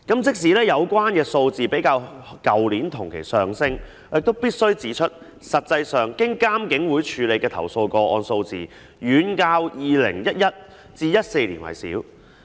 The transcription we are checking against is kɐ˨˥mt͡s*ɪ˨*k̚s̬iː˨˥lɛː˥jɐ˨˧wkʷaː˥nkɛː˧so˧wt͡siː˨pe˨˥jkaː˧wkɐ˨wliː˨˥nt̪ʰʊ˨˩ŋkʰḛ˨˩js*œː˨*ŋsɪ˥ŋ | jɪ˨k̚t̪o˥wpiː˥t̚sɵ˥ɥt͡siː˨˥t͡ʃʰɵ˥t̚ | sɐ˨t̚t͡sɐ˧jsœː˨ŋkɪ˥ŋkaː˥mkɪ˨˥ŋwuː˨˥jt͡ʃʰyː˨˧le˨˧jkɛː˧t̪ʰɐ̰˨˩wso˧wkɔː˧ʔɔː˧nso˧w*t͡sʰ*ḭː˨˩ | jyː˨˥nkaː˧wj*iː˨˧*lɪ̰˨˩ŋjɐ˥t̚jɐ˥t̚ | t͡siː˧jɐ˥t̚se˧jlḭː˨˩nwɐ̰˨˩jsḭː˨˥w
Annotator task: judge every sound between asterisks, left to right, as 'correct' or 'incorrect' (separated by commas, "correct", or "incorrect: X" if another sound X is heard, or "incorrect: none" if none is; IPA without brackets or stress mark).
incorrect: ɪ˥, correct, incorrect: t͡s, correct